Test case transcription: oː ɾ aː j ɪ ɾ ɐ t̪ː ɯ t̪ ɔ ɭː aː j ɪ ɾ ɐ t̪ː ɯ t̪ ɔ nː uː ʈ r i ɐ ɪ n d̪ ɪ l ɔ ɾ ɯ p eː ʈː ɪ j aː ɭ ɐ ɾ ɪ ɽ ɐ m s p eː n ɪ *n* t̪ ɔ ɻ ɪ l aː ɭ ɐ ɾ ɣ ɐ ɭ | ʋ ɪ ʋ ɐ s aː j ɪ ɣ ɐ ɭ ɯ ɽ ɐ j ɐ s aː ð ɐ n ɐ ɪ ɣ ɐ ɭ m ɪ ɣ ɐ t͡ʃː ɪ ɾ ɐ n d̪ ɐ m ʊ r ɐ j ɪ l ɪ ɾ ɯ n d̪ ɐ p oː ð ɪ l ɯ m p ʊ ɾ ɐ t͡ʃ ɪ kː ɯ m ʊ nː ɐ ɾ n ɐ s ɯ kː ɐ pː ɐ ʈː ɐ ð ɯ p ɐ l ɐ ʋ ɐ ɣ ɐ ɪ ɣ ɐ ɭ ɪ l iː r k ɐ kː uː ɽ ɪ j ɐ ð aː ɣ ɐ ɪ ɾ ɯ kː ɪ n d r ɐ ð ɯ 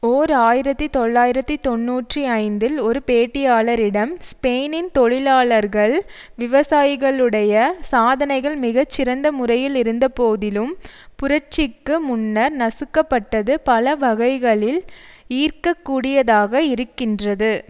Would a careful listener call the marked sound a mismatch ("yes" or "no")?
no